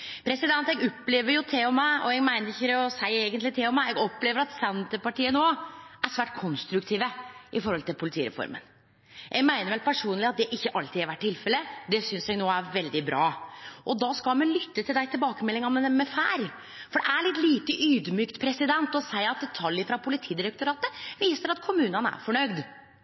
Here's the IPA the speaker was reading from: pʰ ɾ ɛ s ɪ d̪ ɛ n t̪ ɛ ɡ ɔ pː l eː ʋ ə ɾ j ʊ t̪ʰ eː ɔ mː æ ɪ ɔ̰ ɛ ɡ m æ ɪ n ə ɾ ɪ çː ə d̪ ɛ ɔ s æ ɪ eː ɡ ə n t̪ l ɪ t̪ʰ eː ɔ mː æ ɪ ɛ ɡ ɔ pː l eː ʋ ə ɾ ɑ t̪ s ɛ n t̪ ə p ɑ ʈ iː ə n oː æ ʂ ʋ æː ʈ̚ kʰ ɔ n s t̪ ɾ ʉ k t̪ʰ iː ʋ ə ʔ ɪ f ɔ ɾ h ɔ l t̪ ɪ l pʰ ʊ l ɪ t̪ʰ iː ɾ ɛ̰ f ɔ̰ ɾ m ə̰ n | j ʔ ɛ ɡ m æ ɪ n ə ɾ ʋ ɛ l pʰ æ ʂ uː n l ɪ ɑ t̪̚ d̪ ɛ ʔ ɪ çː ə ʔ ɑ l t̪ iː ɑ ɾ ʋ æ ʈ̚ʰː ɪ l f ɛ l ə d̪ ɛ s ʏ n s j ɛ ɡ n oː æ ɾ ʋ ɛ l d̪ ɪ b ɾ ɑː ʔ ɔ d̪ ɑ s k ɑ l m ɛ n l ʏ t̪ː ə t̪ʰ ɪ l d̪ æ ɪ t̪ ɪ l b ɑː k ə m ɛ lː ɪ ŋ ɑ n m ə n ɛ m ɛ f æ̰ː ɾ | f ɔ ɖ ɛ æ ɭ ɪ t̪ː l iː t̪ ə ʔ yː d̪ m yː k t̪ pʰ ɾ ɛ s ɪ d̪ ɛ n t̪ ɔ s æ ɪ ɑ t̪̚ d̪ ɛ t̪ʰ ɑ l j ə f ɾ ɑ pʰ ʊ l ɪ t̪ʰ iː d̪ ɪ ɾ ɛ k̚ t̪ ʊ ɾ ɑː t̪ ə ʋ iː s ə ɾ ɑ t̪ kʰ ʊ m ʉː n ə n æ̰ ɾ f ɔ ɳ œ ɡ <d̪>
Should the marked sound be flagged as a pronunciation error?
no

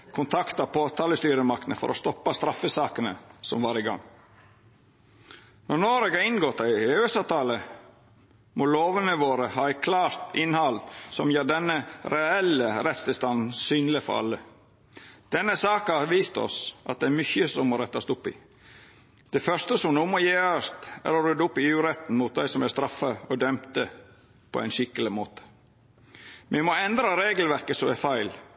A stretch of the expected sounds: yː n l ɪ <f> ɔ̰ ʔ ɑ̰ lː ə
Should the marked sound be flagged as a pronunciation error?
no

